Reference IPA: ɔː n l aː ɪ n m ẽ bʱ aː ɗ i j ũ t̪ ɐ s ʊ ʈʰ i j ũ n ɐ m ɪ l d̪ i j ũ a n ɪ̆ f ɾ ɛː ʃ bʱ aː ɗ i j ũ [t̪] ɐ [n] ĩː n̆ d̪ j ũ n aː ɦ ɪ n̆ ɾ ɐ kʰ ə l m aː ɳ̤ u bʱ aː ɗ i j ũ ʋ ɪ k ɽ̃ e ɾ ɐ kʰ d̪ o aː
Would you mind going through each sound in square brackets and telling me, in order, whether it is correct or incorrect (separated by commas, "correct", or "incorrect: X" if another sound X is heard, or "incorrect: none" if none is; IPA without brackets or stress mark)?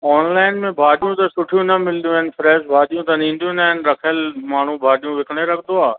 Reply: correct, correct